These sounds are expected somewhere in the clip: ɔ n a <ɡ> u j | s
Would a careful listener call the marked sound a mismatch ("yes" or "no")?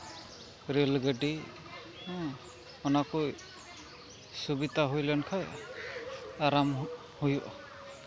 yes